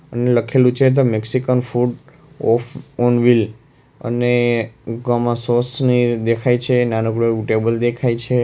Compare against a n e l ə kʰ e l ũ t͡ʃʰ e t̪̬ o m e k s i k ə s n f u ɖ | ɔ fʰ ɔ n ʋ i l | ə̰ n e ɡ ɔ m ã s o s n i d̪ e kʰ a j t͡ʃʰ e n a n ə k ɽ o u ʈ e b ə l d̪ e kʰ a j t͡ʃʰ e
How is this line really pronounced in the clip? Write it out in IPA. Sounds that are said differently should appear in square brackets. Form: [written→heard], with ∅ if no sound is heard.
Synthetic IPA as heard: [a→ə] n e l ə kʰ e l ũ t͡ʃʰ e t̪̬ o m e k s i k ə [s→∅] n f u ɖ | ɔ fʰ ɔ n ʋ i l | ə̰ n e ɡ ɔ m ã s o s n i d̪ e kʰ a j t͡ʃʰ e n a n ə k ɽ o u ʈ e b ə l d̪ e kʰ a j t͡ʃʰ e